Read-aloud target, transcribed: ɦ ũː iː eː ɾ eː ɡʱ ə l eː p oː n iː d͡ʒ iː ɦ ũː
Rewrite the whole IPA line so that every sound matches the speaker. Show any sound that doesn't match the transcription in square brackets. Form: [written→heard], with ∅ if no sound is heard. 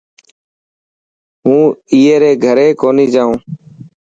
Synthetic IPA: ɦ ũː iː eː ɾ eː ɡʱ ə [l→ɾ] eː [p→k] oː n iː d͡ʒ [iː→aː] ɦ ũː